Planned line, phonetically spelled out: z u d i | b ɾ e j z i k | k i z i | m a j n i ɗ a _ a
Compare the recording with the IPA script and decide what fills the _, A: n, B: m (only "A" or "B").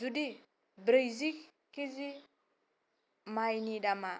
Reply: B